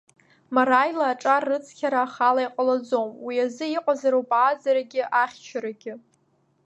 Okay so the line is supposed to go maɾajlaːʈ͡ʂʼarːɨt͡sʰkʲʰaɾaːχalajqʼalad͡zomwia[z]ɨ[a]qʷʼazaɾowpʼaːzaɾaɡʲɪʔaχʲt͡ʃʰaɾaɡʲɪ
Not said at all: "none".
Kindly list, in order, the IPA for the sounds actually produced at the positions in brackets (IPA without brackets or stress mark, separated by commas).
z, i